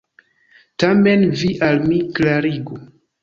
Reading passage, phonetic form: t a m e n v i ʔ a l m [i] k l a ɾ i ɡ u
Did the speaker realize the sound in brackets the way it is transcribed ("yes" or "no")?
yes